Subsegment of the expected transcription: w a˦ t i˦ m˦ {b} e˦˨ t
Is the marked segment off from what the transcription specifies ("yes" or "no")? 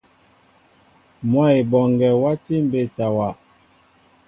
no